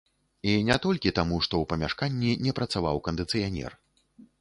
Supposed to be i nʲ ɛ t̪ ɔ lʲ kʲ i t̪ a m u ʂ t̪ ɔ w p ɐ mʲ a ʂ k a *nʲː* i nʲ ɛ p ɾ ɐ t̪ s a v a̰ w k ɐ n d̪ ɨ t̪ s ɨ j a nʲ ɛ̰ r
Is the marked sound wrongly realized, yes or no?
no